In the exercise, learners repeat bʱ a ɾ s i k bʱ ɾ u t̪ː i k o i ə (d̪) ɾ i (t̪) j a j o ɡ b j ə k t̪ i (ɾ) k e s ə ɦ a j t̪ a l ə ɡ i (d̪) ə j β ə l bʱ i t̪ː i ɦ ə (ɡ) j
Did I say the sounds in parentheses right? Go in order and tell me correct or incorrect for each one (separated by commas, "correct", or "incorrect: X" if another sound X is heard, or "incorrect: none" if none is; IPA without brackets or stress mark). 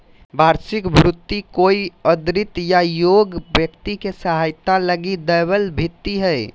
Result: correct, correct, incorrect: none, correct, incorrect: none